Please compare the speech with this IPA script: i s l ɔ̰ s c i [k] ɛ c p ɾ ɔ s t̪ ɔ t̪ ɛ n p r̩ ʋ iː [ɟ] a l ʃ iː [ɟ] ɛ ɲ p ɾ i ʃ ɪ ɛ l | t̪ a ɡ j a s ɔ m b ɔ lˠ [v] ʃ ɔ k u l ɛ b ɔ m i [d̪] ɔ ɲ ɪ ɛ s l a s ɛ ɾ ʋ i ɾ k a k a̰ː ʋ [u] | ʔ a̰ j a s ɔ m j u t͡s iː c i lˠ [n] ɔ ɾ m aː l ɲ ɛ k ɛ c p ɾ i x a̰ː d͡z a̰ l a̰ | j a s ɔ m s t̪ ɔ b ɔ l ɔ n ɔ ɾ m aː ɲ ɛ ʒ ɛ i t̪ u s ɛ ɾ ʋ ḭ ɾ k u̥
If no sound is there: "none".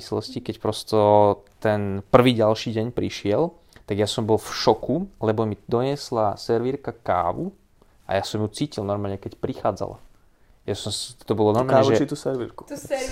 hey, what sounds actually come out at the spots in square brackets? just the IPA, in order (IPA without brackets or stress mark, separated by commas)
k, ɟ, ɟ, f, d̪, u, n